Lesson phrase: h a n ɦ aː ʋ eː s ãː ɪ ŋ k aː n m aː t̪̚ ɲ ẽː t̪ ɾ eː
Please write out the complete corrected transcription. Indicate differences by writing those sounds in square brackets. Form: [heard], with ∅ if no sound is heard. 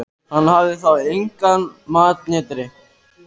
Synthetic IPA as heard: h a n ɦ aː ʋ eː s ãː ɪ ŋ k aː n m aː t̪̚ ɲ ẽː t̪ ɾ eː